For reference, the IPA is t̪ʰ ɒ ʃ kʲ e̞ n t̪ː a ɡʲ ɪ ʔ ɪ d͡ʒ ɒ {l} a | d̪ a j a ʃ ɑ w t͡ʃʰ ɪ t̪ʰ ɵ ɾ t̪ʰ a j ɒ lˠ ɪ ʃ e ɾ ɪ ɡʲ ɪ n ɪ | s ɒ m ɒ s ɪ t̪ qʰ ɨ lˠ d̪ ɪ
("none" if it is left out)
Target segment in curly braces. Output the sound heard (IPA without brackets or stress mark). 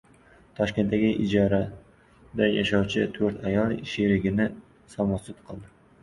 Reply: ɾ